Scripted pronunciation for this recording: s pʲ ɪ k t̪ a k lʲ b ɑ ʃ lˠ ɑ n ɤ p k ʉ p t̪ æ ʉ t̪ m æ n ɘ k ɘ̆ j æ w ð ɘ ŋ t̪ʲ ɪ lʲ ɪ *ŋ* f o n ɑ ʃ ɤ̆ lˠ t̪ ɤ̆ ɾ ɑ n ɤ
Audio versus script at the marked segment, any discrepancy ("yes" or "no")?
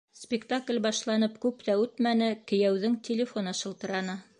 yes